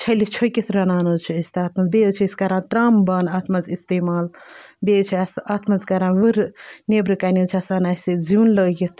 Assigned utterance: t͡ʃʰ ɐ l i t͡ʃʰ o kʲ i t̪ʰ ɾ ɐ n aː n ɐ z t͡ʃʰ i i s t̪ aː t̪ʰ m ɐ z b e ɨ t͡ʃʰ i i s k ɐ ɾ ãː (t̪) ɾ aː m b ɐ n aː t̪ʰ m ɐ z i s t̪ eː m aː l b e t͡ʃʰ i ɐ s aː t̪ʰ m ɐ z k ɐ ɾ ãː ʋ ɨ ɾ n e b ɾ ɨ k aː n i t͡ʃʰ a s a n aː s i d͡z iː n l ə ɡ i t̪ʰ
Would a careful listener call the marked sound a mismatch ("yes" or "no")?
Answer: no